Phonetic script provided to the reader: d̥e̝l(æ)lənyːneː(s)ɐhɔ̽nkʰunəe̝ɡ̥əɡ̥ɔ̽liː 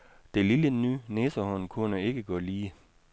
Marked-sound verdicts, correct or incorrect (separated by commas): incorrect, correct